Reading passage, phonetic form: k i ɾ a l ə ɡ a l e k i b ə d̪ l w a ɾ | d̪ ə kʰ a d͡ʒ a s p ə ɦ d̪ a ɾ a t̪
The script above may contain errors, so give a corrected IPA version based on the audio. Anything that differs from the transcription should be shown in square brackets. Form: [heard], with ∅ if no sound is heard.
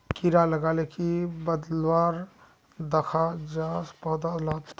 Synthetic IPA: k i ɾ a l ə ɡ a l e k i b ə d̪ l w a ɾ | d̪ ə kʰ a d͡ʒ a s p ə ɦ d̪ a [l] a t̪